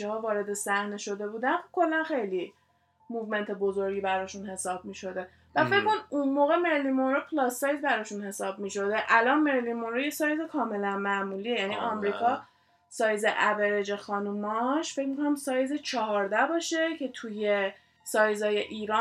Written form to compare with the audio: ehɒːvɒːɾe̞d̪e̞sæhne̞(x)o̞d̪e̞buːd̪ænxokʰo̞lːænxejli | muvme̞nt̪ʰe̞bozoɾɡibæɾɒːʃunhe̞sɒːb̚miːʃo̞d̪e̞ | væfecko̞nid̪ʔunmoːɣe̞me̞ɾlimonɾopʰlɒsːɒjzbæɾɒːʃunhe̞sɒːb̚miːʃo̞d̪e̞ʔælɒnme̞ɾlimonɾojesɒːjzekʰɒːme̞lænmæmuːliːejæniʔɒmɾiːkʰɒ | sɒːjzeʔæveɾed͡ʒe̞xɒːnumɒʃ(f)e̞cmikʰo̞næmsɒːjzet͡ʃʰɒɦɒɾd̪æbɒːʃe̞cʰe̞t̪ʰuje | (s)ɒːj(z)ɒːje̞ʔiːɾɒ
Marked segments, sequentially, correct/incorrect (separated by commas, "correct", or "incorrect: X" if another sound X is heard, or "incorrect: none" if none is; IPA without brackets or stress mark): incorrect: ʃ, correct, correct, correct